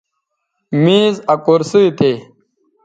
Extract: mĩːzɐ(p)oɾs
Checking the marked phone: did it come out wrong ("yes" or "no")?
yes